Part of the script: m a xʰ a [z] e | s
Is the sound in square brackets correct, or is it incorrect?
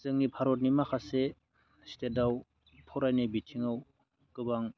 incorrect